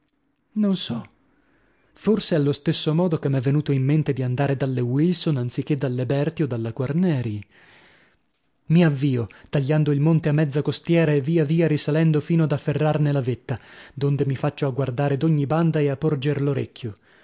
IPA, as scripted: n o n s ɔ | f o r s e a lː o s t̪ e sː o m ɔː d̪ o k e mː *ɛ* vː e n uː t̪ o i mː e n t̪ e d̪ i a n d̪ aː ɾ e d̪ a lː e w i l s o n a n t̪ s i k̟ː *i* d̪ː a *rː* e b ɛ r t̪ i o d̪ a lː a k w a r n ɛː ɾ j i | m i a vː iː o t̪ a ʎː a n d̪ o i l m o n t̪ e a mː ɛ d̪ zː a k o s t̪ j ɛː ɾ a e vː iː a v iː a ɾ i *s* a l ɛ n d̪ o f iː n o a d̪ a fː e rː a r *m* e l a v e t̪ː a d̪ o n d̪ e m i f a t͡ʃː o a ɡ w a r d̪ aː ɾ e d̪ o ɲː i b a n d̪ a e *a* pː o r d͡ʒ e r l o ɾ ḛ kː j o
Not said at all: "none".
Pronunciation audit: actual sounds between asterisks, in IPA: ɛ, e, lː, s, n, a

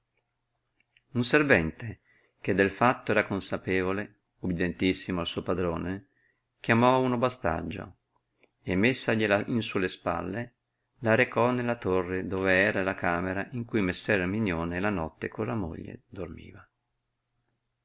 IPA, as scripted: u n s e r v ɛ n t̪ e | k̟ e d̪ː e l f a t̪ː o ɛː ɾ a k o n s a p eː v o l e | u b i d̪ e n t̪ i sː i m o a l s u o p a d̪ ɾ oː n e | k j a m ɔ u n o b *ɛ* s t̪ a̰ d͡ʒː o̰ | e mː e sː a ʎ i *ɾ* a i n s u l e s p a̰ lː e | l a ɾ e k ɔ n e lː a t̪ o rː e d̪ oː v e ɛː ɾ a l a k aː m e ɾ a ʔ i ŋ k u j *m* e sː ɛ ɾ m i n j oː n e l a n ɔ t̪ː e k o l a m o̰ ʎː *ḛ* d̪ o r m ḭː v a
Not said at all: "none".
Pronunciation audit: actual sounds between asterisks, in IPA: a, l, m, ḛ

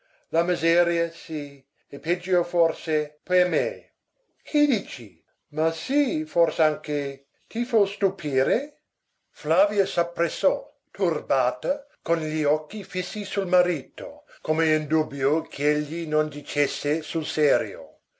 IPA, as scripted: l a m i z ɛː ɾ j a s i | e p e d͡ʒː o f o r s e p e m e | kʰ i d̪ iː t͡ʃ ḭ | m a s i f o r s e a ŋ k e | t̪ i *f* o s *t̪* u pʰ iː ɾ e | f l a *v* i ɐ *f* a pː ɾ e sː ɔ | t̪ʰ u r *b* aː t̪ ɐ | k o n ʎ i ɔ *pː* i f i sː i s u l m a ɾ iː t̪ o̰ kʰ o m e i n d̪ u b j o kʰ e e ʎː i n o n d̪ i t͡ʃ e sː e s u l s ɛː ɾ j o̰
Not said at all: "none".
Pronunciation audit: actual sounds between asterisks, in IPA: f, t̪, v, s, b, kː

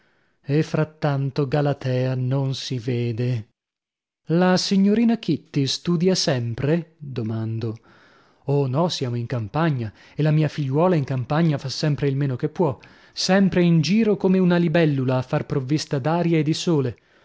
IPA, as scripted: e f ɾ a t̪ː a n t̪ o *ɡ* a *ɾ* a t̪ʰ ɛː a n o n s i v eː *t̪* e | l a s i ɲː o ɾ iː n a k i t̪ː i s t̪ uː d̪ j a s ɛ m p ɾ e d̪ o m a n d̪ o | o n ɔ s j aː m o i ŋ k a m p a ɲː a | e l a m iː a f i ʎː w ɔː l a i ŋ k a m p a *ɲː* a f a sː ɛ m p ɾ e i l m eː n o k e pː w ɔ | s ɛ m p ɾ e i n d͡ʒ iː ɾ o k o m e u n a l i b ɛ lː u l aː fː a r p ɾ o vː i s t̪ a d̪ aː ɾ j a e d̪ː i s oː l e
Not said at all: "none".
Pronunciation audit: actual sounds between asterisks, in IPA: ɡ, l, d̪, ɲː

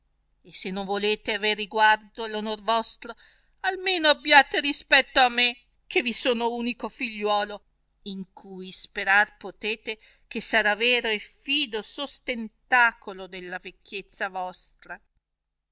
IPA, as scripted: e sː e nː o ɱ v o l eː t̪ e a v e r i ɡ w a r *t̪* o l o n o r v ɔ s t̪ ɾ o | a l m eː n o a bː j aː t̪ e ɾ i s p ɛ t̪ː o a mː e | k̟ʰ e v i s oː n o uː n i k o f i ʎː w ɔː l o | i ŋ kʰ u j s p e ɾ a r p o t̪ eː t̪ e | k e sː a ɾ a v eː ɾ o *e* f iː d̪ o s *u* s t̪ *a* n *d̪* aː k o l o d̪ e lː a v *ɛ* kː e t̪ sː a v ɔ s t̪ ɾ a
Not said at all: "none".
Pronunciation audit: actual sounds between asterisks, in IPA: d̪, e, o, e, t̪, e

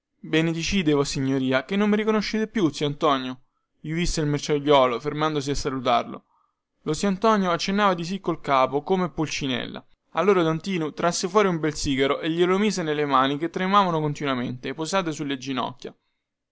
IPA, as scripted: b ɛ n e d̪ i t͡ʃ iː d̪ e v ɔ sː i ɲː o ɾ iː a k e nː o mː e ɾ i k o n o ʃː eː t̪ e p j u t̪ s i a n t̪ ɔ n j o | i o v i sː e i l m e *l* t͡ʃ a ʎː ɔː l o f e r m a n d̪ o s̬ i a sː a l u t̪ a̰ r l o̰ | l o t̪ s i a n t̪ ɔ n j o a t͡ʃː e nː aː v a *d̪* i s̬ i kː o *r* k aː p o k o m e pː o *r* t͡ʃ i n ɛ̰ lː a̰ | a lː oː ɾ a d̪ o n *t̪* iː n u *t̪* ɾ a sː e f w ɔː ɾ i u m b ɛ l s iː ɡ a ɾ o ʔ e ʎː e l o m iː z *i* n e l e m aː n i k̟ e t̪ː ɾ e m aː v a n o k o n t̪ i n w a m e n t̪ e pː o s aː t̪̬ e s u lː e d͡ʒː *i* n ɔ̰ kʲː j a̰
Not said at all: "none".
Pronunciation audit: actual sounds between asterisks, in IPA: r, d̪, l, l, t̪, t̪, e, i

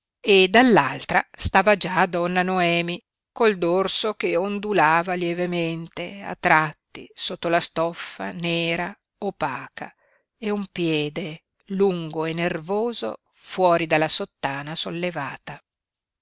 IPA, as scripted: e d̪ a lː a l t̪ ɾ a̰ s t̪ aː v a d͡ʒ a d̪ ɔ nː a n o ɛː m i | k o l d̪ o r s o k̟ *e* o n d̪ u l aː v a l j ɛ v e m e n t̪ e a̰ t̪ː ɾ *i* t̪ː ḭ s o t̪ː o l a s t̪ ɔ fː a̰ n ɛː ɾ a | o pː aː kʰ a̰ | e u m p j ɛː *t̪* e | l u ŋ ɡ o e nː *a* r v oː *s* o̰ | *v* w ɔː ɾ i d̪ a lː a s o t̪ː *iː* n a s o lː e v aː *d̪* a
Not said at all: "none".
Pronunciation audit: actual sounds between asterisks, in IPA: e, a, d̪, e, z, f, aː, t̪

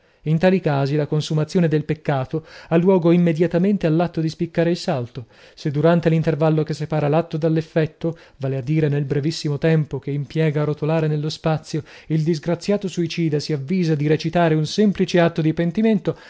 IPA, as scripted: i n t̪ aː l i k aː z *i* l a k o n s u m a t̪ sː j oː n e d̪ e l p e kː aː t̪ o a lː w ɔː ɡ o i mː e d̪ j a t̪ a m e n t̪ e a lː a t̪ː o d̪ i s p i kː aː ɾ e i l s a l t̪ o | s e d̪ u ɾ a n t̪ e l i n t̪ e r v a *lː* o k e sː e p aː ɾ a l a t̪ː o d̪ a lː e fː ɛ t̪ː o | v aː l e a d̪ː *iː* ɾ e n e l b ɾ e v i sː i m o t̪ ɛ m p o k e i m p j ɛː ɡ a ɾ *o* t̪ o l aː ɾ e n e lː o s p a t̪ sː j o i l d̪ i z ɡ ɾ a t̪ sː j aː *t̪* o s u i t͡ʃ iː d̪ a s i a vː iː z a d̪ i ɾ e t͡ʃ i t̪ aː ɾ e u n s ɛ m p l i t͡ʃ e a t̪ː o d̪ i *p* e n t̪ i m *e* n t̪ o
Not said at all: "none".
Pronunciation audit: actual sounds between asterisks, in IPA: i, lː, iː, o, t̪, p, e

